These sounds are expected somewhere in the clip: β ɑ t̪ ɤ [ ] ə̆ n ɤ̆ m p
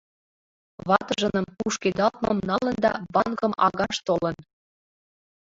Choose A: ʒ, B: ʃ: A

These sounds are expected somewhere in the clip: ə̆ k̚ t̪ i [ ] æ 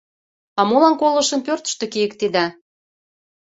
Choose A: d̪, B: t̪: A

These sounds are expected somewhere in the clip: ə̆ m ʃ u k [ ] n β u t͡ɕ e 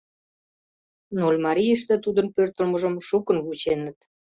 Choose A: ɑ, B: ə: B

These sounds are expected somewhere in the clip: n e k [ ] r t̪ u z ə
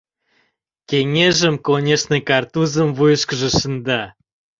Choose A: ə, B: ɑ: B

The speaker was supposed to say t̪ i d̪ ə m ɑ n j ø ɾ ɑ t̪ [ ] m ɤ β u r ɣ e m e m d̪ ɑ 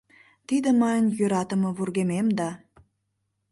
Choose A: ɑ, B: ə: B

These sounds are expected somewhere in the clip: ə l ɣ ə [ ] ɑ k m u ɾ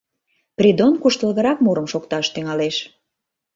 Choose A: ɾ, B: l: A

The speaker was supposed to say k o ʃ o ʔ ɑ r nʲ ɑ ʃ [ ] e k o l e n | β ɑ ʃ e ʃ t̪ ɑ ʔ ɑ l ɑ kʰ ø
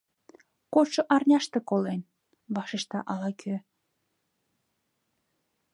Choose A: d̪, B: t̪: B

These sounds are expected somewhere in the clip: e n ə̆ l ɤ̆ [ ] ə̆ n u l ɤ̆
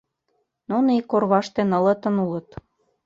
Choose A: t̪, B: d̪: A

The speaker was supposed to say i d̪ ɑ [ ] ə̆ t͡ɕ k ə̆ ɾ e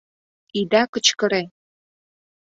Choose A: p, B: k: B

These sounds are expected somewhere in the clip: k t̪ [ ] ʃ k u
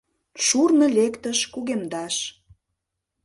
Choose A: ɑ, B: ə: B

